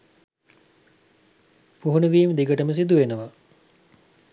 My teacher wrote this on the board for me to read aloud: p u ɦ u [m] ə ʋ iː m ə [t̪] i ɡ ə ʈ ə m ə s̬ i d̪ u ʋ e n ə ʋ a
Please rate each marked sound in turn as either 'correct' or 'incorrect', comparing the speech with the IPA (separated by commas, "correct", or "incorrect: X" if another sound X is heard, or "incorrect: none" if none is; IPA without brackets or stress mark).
incorrect: n, incorrect: d̪